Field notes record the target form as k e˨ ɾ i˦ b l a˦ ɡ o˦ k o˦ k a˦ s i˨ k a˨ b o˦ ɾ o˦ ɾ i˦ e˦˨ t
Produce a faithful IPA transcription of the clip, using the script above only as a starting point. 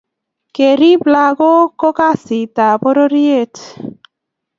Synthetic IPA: k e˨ ɾ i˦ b l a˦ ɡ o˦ k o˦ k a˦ s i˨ t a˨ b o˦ ɾ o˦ ɾ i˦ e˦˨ t

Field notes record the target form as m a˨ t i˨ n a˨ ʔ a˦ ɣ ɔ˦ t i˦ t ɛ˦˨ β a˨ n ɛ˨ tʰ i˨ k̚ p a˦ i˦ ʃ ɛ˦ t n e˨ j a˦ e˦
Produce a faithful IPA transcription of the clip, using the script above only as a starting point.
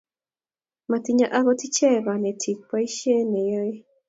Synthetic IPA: m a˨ t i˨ ɲ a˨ ʔ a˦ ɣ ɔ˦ t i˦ t͡ʃ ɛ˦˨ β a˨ n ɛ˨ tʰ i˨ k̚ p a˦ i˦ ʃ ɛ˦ n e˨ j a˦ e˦

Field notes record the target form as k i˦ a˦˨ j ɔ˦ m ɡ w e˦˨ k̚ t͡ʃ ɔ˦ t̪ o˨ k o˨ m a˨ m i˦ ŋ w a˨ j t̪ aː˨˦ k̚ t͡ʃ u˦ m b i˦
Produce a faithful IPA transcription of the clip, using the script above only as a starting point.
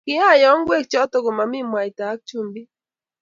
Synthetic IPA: k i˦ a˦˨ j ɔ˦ ŋ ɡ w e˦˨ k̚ t͡ʃ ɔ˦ t̪ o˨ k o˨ m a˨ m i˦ m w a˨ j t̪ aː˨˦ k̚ t͡ʃ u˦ m b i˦

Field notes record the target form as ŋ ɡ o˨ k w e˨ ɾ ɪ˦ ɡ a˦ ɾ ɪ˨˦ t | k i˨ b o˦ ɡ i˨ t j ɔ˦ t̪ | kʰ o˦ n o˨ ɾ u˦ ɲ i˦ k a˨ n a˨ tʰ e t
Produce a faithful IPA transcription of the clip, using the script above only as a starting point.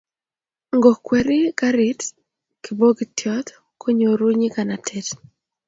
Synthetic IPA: ŋ ɡ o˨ k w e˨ ɾ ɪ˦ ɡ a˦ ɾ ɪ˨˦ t | k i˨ b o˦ ɡ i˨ t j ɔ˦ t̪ | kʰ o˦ ɲ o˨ ɾ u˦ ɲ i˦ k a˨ n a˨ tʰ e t

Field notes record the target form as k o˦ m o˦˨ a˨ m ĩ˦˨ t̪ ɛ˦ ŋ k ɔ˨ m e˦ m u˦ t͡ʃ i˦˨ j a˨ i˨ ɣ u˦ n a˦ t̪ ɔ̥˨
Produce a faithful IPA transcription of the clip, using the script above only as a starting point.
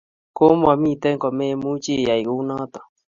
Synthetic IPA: k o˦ m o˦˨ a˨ m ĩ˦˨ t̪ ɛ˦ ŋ k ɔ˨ m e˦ m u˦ t͡ʃ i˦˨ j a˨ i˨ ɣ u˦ n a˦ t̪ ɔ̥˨

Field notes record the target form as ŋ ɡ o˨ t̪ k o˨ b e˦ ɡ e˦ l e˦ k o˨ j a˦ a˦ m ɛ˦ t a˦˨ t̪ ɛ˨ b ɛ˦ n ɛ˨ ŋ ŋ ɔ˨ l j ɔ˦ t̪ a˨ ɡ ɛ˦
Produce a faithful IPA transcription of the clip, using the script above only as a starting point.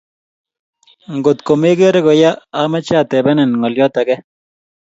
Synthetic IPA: ŋ ɡ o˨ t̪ k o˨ m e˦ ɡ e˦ ɾ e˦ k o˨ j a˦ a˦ m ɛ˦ t͡ʃ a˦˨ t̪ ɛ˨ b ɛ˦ n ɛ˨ n ŋ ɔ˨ l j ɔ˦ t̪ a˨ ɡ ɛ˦

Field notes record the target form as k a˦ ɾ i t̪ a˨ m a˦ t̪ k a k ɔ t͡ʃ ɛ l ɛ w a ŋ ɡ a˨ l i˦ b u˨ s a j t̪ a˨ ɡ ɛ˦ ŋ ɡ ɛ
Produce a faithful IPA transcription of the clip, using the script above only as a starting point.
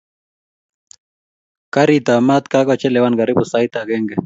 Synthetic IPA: k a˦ ɾ i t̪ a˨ m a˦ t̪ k a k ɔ t͡ʃ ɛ l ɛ w a n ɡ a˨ ɾ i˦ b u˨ s a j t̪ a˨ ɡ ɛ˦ ŋ ɡ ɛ

